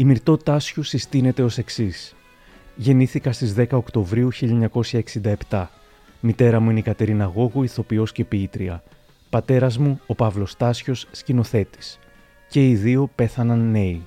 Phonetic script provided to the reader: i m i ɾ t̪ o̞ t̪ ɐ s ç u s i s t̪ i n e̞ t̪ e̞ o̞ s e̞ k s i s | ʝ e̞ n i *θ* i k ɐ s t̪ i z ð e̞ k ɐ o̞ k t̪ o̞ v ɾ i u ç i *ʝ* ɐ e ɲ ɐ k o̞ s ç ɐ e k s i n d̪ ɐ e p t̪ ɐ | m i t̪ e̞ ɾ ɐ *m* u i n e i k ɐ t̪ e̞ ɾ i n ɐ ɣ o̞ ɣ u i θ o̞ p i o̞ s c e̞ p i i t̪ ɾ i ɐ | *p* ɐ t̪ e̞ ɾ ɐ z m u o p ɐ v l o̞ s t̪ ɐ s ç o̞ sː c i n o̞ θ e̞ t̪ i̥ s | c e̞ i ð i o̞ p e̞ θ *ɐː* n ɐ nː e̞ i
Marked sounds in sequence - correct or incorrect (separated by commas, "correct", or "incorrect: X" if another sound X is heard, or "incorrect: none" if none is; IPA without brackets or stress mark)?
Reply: correct, incorrect: ʎ, correct, correct, incorrect: ɐ